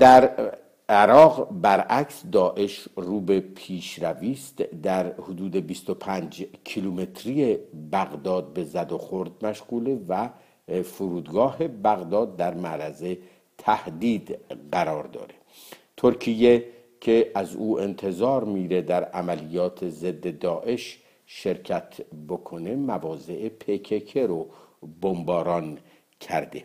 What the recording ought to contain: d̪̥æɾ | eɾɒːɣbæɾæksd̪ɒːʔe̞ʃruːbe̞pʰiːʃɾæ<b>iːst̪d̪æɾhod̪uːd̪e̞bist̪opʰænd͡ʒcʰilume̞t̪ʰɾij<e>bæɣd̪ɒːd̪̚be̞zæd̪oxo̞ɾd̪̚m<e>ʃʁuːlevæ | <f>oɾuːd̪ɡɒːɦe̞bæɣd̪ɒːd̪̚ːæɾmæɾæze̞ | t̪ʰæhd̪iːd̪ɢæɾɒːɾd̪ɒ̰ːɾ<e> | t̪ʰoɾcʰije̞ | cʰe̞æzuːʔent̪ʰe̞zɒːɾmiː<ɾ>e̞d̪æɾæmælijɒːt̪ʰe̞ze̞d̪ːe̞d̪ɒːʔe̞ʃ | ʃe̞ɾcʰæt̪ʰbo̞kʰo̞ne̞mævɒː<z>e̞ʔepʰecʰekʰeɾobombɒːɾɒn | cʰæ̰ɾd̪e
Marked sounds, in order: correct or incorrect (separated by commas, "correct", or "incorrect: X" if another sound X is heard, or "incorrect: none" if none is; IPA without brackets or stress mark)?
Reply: incorrect: v, correct, incorrect: æ, correct, correct, correct, correct